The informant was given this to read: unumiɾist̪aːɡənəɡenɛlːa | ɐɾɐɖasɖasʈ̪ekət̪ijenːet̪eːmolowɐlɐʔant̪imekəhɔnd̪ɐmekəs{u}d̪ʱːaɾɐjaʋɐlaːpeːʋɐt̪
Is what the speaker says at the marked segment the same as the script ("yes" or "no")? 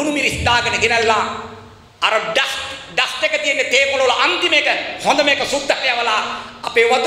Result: yes